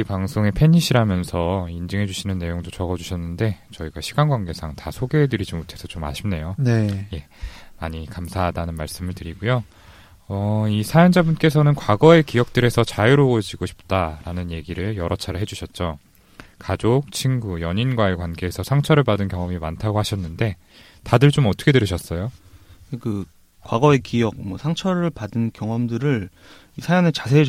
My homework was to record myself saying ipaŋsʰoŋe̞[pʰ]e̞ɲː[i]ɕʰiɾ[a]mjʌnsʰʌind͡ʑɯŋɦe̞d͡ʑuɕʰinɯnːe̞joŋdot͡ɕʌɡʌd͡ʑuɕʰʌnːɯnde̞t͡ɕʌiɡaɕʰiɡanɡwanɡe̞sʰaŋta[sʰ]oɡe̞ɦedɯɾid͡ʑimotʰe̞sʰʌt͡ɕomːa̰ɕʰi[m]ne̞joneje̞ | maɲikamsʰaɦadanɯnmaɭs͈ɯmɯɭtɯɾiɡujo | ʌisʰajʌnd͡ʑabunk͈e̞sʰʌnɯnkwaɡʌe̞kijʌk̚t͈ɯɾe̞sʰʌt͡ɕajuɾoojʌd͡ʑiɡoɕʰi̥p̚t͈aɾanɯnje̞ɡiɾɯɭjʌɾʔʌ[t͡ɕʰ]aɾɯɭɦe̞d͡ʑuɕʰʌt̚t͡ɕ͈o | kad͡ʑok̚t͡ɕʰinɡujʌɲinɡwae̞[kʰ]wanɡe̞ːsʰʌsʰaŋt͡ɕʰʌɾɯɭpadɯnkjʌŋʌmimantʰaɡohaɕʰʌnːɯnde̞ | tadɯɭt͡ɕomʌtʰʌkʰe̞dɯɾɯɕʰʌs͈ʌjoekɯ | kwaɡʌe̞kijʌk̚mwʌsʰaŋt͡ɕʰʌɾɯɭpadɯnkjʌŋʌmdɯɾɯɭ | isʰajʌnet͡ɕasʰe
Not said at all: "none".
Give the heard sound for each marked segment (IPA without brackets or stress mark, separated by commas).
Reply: pʰ, i, a, sʰ, m, t͡ɕʰ, k